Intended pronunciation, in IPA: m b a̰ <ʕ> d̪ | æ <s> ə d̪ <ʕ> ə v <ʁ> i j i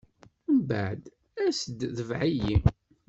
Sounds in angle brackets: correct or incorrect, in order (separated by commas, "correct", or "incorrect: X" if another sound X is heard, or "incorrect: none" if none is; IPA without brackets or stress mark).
correct, correct, incorrect: ð, incorrect: ʕ